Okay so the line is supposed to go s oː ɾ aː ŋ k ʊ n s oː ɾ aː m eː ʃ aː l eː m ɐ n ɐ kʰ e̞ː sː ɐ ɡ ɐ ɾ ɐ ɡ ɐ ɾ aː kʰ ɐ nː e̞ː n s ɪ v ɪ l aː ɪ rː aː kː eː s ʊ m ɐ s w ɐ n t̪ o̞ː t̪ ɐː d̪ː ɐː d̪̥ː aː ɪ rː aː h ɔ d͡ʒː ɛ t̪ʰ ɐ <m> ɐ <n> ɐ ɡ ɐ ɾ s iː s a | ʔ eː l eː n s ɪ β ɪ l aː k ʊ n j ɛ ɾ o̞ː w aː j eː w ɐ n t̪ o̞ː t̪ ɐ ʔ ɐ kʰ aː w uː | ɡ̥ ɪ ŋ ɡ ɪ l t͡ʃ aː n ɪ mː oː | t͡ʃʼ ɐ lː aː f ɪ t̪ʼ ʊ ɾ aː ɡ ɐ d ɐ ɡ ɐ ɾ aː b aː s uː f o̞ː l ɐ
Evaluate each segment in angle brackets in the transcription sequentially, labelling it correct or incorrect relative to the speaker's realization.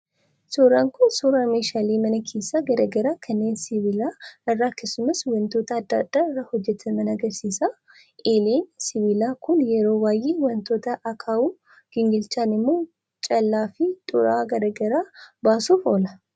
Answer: correct, correct

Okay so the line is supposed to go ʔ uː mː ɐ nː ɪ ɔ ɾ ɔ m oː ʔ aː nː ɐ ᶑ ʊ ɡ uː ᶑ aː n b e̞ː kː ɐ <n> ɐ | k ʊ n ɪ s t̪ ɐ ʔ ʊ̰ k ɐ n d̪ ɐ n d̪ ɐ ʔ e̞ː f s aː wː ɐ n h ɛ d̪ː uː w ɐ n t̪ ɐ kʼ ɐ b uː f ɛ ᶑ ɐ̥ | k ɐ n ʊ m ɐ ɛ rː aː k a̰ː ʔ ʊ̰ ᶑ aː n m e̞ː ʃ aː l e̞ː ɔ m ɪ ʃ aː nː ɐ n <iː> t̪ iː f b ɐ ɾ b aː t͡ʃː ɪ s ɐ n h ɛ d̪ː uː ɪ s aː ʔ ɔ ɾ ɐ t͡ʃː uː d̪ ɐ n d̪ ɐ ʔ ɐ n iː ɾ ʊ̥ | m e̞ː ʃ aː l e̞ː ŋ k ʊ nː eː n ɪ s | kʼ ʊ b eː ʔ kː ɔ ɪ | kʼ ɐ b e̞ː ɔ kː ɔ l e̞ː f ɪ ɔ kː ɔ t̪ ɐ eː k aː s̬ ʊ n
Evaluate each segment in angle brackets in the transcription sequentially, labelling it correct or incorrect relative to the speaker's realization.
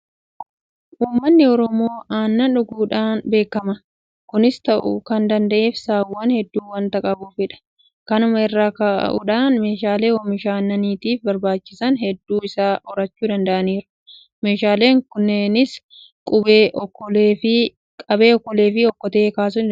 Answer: incorrect: m, correct

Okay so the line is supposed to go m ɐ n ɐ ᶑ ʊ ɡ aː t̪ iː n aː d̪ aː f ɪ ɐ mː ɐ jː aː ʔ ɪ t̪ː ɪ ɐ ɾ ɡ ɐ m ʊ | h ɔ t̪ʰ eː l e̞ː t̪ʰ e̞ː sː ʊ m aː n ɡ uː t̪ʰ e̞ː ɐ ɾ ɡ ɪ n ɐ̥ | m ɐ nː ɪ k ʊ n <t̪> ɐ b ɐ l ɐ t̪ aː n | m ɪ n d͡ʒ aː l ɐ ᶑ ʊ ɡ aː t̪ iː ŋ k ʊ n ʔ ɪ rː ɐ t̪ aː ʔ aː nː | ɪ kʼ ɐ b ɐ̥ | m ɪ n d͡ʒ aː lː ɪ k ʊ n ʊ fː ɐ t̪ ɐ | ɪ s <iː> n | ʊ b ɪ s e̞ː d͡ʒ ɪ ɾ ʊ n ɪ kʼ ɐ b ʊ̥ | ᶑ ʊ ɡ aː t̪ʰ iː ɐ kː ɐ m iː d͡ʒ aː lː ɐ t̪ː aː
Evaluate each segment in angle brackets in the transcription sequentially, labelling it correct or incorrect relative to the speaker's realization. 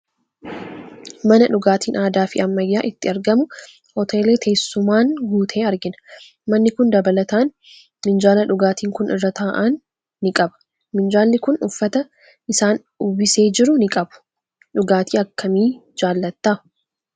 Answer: incorrect: d̪, incorrect: aː

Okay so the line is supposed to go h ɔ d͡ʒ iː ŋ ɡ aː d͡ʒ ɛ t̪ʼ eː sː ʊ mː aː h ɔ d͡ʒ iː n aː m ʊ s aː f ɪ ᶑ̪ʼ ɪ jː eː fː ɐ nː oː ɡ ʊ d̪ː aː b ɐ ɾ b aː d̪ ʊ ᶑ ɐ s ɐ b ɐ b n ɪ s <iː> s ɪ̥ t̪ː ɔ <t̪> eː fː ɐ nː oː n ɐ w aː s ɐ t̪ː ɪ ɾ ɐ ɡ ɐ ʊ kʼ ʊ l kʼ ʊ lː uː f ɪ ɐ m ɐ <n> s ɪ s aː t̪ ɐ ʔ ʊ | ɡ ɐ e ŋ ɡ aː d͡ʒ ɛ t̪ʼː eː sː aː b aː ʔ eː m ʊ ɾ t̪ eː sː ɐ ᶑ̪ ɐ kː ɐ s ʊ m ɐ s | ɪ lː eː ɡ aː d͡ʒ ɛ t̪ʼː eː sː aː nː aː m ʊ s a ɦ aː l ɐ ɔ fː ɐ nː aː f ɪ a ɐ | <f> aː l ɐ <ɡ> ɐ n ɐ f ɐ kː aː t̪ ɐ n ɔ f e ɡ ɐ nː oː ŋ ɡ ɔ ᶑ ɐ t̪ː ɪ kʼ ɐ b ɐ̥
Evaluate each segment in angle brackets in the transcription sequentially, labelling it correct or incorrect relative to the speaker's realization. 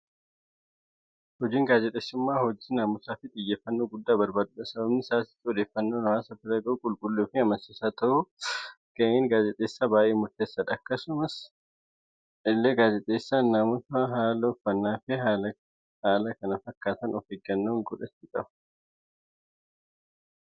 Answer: incorrect: aː, incorrect: d̪, correct, incorrect: h, incorrect: k

